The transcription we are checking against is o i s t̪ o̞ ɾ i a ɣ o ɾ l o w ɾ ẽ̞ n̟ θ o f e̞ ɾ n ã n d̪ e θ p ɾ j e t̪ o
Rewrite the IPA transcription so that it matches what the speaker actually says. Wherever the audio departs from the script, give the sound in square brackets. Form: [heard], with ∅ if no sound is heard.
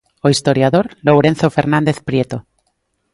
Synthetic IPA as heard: o i s t̪ o̞ ɾ [j] a [ð] o ɾ l o w ɾ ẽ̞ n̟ θ o f e̞ ɾ n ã n d̪ e θ p ɾ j e t̪ o